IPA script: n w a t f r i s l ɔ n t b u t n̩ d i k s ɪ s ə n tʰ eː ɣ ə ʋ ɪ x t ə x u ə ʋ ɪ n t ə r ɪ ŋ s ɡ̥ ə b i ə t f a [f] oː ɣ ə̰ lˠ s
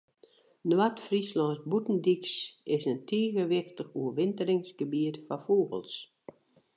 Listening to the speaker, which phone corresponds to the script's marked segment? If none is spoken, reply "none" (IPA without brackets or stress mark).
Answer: f